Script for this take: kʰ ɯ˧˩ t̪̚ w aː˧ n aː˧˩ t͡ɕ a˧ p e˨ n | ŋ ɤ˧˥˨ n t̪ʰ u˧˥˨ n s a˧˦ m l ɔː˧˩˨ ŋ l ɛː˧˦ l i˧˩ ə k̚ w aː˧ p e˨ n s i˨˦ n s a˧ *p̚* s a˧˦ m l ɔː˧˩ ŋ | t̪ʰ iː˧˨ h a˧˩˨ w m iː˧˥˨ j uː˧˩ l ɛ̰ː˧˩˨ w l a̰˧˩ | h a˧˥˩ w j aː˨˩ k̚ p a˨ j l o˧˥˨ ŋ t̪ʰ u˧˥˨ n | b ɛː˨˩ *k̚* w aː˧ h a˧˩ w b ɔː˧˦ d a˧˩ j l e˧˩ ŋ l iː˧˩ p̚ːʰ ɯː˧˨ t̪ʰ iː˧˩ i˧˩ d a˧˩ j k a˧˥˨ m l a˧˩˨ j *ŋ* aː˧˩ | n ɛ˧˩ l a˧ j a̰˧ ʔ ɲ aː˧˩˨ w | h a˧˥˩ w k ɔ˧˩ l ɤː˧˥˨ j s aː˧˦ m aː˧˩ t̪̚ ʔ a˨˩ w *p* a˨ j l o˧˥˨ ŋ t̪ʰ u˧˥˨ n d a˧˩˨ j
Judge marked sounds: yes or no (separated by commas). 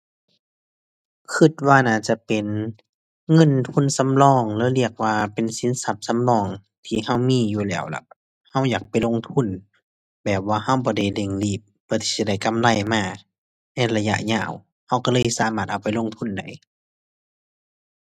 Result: yes, no, no, yes